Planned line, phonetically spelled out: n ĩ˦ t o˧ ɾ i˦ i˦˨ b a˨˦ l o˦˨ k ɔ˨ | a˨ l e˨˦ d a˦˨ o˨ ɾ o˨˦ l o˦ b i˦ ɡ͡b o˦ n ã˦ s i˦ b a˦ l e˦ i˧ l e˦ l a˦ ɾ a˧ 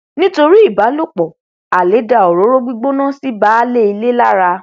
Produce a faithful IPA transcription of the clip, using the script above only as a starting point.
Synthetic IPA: n ĩ˦ t o˧ ɾ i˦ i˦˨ b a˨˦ l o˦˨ k͡p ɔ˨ | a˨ l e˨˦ d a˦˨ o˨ ɾ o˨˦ ɾ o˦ ɡ͡b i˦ ɡ͡b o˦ n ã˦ s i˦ b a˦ l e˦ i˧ l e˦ l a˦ ɾ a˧